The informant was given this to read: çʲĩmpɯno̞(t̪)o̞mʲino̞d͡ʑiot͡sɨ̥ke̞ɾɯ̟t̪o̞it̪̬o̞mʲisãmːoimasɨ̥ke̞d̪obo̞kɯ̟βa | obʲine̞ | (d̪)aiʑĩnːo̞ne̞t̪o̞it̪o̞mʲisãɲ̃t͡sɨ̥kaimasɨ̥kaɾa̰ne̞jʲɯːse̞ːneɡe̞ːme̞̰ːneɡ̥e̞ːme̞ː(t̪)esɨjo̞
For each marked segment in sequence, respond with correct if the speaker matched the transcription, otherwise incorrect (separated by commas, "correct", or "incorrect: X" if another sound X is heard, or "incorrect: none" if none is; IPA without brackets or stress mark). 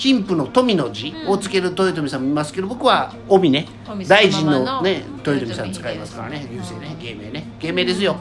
correct, correct, incorrect: d̪